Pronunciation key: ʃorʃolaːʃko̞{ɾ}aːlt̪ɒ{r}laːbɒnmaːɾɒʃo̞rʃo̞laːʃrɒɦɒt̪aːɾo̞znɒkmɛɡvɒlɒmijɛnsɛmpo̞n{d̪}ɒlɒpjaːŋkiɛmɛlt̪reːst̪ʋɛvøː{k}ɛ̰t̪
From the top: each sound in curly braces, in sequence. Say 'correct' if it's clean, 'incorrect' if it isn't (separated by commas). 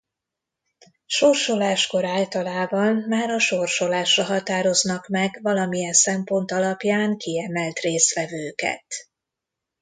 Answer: correct, incorrect, incorrect, correct